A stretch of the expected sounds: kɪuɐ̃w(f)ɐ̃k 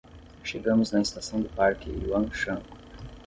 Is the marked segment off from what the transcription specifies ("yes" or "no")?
yes